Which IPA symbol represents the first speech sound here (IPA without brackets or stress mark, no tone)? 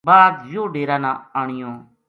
b